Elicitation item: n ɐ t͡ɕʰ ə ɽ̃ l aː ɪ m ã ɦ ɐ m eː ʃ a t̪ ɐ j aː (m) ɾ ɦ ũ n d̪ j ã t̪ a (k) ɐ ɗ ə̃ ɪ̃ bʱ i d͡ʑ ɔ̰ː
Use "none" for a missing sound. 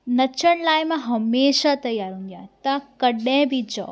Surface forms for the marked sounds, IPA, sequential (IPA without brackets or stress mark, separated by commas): none, k